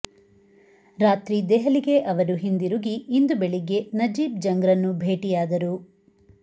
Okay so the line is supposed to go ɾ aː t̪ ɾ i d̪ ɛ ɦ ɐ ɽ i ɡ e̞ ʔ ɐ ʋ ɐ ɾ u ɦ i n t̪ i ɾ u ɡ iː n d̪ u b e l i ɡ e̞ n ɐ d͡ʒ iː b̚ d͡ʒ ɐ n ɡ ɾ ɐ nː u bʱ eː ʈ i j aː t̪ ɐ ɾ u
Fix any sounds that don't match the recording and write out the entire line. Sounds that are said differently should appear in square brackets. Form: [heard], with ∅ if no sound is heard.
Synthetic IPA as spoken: ɾ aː t̪ ɾ i d̪ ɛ ɦ ɐ [l] i ɡ e̞ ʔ ɐ ʋ ɐ ɾ u ɦ i n [d̪] i ɾ u ɡ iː n d̪ u b e [ɭ] i ɡ e̞ n ɐ d͡ʒ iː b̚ d͡ʒ ɐ [ŋ] ɡ ɾ ɐ nː u bʱ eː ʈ i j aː [d̪] ɐ ɾ u